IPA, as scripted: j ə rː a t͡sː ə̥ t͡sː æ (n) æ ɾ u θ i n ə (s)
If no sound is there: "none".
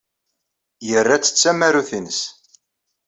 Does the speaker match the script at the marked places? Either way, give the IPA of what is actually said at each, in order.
m, s

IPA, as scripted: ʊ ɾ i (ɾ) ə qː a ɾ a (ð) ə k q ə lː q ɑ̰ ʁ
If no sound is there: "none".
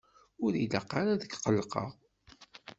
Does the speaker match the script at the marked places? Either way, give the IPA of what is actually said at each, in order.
l, ð

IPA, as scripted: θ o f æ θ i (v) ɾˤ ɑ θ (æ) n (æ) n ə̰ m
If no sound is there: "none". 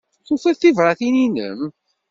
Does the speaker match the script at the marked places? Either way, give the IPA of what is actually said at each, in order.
v, i, i

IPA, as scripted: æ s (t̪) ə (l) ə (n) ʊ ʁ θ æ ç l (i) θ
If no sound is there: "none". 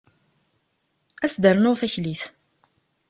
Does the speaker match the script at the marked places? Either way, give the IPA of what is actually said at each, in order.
d̪, ɾ, n, i

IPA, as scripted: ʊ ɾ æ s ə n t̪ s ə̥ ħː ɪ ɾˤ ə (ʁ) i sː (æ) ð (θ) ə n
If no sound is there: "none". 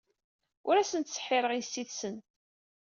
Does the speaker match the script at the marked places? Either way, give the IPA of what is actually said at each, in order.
ʁ, i, s

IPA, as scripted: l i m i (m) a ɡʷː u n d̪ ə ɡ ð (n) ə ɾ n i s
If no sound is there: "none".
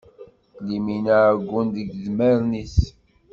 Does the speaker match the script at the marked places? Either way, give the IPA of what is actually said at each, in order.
n, m

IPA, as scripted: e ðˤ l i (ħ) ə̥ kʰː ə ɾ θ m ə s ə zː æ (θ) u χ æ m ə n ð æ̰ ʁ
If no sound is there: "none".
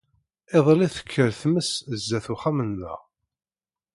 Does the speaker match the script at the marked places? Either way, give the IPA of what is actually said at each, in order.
θ, θ

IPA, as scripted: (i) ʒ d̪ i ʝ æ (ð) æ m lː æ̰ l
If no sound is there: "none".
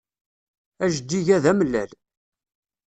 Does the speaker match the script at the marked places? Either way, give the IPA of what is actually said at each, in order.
æ, ð

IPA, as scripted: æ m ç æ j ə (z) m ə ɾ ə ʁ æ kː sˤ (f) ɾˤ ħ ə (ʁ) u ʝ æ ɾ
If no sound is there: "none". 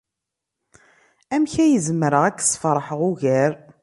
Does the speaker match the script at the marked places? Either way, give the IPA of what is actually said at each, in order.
z, f, ʁ

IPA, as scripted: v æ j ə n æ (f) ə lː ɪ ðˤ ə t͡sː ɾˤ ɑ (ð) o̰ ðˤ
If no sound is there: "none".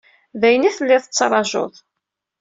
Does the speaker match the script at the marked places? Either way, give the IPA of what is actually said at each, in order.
θ, ʒ

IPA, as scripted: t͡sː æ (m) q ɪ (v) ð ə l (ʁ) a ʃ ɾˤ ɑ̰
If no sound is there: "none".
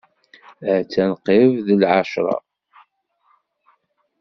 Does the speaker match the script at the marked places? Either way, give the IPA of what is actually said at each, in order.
n, v, ʕ

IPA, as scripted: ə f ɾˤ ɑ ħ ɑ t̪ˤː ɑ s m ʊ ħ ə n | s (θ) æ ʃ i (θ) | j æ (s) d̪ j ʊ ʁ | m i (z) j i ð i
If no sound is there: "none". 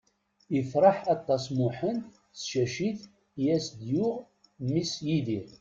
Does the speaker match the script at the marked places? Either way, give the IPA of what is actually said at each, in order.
ʃ, θ, s, s

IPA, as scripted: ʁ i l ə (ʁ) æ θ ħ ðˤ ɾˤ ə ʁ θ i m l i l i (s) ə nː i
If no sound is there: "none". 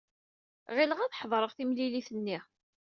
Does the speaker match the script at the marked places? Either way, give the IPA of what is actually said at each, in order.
ʁ, θ

